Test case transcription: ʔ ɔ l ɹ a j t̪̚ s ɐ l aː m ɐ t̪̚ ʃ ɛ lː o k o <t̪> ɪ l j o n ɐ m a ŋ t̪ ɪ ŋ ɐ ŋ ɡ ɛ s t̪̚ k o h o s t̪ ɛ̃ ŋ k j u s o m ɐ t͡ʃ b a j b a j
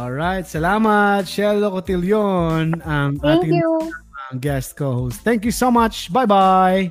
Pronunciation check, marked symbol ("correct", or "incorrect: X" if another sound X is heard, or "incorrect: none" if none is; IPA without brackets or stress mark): correct